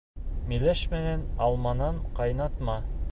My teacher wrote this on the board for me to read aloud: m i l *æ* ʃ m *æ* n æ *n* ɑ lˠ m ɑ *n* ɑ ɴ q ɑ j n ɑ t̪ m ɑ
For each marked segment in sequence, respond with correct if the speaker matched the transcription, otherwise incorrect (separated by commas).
correct, correct, correct, correct